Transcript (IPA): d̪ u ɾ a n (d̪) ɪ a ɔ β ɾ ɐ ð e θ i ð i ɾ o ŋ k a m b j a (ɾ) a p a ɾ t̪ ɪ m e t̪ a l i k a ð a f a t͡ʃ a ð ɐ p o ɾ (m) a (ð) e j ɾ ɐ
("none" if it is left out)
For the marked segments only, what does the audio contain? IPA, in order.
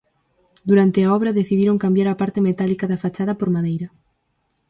t̪, ɾ, m, ð

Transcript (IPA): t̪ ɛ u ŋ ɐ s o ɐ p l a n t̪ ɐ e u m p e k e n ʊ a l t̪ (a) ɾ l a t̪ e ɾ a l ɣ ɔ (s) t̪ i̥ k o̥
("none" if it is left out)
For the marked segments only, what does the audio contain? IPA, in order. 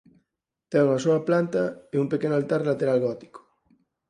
a, none

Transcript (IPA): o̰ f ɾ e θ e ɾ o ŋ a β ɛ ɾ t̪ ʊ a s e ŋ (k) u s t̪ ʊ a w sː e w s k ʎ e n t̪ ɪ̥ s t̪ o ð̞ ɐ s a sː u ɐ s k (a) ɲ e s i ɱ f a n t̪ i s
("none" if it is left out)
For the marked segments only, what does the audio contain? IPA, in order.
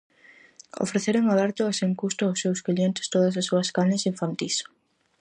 k, a

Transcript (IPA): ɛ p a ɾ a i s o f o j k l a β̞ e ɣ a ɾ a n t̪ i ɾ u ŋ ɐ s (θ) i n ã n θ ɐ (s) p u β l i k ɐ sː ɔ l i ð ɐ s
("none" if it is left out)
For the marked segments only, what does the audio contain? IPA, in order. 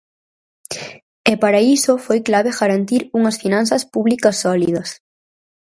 f, s

